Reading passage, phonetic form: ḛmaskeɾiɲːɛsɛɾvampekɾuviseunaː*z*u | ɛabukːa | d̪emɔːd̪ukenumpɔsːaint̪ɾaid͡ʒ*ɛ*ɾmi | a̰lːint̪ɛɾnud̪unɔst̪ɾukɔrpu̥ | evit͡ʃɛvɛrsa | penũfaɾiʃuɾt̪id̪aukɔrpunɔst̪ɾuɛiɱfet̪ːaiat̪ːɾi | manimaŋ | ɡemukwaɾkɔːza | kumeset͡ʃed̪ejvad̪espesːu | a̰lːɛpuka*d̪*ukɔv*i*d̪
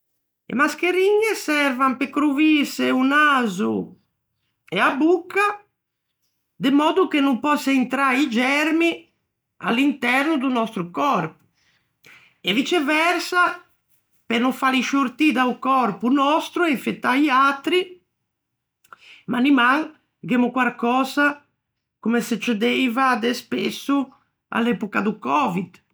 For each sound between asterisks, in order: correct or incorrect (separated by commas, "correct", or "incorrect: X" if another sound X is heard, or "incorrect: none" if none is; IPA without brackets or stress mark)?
correct, correct, correct, correct